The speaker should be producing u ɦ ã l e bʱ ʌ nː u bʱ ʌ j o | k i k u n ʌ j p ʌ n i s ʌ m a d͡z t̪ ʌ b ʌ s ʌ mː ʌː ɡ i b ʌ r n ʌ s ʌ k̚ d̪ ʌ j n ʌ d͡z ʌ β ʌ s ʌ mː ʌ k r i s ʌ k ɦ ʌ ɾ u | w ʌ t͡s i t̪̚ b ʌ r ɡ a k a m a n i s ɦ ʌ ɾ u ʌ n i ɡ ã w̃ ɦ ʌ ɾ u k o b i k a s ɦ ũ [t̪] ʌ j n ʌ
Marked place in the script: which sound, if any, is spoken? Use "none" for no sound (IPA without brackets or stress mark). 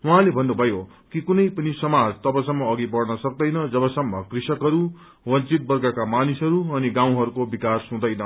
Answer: d̪